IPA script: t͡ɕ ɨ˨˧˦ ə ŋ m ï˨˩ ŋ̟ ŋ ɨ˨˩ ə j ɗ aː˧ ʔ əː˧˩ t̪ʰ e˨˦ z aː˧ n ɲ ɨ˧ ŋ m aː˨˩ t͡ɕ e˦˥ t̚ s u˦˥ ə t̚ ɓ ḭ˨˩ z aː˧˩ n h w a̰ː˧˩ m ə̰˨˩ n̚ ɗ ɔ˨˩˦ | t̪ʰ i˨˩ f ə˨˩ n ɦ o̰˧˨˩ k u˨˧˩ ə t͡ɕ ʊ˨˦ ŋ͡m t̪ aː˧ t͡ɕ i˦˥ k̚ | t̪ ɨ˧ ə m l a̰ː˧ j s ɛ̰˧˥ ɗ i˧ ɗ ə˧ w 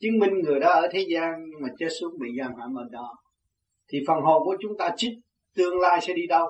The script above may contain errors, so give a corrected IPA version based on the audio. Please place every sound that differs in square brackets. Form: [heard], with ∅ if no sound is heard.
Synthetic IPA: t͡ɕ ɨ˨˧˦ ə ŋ m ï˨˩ ŋ̟ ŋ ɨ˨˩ ə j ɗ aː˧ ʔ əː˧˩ t̪ʰ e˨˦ z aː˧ n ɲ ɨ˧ ŋ m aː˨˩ t͡ɕ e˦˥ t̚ s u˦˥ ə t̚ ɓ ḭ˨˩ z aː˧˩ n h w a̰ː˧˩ m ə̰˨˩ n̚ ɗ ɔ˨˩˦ | t̪ʰ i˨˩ f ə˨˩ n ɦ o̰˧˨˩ k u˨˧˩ ə t͡ɕ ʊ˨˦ ŋ͡m t̪ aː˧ t͡ɕ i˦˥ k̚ | t̪ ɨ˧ ə [ŋ] l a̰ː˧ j s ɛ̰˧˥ ɗ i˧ ɗ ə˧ w